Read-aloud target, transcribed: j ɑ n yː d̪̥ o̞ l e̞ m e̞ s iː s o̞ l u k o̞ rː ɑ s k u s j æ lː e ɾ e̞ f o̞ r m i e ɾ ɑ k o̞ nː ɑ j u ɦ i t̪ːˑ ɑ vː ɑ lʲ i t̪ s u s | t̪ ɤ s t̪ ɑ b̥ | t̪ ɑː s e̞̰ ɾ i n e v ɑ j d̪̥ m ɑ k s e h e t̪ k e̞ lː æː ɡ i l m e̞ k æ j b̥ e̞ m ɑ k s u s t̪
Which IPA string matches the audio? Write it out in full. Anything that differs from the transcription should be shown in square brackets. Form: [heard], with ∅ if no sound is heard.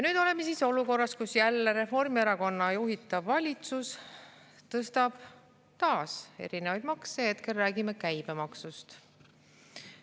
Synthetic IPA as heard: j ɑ n yː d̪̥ o̞ l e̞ m e̞ s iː s o̞ l u k o̞ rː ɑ s k u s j æ lː e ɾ e̞ f o̞ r m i e ɾ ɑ k o̞ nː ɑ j u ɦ i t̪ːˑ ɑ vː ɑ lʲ i t̪ s u s | t̪ ɤ s t̪ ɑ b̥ | t̪ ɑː s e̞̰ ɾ i n e v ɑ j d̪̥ m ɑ k s e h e t̪ k e̞ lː æː ɡ i [∅] m e̞ k æ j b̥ e̞ m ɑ k s u s t̪